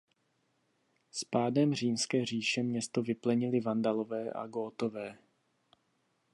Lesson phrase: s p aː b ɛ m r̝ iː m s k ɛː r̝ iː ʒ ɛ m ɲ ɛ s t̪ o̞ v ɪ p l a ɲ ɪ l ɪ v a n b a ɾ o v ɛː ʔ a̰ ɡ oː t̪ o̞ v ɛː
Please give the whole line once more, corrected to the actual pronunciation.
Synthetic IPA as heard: s p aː d ɛ m r̝ iː m s k ɛː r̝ iː ʃ ɛ m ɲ ɛ s t̪ o̞ v ɪ p l ɛ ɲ ɪ l ɪ v a n d a l o v ɛː ʔ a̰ ɡ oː t̪ o̞ v ɛː